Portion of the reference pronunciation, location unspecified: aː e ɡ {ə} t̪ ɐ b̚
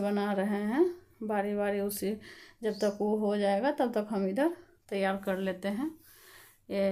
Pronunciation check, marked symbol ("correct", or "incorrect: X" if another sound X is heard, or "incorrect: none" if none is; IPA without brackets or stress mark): incorrect: a